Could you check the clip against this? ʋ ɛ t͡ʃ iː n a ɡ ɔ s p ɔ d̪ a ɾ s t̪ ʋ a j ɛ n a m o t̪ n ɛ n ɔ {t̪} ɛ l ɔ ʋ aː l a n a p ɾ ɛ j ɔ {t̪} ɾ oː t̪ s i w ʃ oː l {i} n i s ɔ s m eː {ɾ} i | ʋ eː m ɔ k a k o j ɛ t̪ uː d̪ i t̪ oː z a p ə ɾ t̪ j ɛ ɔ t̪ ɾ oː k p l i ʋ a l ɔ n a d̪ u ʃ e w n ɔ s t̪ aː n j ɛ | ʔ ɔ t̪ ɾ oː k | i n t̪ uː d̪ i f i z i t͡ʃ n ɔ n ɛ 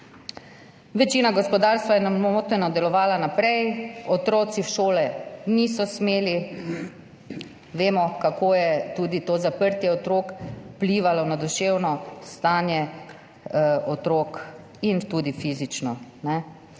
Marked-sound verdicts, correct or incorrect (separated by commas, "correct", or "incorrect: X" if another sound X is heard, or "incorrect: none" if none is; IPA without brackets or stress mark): incorrect: d̪, correct, incorrect: ɛ, incorrect: l